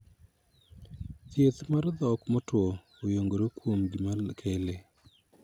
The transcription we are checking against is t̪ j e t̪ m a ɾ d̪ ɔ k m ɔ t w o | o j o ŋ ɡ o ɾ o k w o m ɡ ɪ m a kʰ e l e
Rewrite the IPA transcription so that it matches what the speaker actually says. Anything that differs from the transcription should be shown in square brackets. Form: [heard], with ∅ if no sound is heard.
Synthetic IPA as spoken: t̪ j e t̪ m a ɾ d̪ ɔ k m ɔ t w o | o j o ŋ ɡ o ɾ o k w o m ɡ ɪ m a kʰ e l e

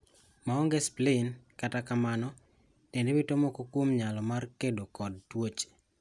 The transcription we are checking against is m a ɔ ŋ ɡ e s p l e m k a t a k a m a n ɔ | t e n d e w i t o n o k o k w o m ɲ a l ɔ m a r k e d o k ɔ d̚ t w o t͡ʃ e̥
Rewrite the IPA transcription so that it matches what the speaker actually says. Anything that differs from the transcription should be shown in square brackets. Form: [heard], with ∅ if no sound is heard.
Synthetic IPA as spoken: m a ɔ ŋ ɡ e s p l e [n] k a t a k a m a n ɔ | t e n d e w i t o [m] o k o k w o m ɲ a l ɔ m a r k e d o k ɔ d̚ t w o t͡ʃ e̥

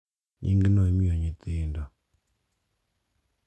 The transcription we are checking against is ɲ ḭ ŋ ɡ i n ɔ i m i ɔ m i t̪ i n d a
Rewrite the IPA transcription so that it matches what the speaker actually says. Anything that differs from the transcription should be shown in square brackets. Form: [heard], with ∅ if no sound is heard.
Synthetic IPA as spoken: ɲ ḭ ŋ ɡ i n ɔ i m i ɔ [ɲ] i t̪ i n d a

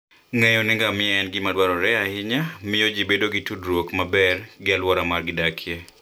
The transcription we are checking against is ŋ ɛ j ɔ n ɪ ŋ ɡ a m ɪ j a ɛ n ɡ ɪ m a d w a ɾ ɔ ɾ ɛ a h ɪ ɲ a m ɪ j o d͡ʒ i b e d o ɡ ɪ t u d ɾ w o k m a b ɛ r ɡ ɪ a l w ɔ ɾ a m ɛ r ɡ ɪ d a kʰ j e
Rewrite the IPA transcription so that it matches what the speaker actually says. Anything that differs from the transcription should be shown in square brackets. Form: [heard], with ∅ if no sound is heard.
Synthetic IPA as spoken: ŋ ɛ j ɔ n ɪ ŋ ɡ a m ɪ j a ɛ n ɡ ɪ m a d w a ɾ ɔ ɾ ɛ a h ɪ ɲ a m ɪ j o d͡ʒ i b e d o ɡ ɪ t u d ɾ w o k m a b ɛ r ɡ ɪ a l w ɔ ɾ a m [a] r ɡ ɪ d a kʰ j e

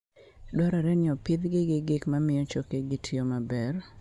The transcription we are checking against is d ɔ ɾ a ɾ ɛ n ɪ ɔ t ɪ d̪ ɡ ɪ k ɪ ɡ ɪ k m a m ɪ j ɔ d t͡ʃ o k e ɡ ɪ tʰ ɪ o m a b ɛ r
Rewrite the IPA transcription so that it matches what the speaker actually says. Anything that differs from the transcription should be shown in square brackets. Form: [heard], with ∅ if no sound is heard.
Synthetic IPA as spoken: d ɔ ɾ a ɾ ɛ n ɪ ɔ [p] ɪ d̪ ɡ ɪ [ɡ] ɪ ɡ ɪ k m a m ɪ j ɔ [∅] t͡ʃ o k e ɡ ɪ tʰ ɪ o m a b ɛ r

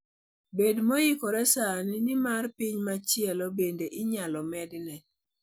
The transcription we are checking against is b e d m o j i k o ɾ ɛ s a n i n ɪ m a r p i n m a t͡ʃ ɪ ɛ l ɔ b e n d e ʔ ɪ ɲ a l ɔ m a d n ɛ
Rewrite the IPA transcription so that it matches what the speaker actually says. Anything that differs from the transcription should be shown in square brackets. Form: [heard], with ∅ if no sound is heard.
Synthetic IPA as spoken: b e d m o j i k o ɾ ɛ s a n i n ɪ m a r p i [ɲ] m a t͡ʃ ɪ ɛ l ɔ b e n d e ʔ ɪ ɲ a l ɔ m [ɛ] d n ɛ

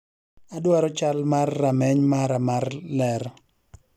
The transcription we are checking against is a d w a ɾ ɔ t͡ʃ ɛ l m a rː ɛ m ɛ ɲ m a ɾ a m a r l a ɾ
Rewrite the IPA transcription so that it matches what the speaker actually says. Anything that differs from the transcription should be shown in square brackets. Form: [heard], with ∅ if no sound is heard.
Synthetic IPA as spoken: a d w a ɾ ɔ t͡ʃ [a] l m a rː [a] m ɛ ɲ m a ɾ a m a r l [ɛ] ɾ

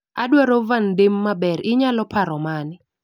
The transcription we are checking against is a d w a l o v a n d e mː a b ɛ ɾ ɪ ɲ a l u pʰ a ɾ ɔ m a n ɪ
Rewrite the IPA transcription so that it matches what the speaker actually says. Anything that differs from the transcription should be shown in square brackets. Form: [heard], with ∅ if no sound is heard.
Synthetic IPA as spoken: a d w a [ɾ] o v a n d e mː a b ɛ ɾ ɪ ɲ a l [ɔ] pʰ a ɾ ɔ m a n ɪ

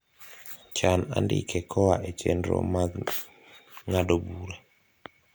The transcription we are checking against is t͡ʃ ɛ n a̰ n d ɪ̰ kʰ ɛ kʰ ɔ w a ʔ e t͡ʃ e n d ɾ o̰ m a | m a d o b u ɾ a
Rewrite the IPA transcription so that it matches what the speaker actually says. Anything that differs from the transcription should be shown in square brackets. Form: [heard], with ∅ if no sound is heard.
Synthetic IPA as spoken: t͡ʃ [a] n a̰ n d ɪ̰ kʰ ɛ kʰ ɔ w a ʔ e t͡ʃ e n d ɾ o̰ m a | [ŋ] a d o b u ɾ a

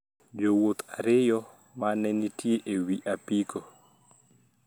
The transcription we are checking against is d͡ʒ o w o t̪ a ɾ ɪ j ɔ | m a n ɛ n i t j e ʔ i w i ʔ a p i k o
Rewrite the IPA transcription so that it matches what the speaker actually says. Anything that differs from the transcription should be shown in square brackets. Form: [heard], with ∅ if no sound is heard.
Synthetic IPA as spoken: d͡ʒ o w o t̪ a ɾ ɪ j ɔ | m a n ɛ n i t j e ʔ [e] w i ʔ a p i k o

